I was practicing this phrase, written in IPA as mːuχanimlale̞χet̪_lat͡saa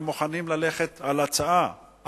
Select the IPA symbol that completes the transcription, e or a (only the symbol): a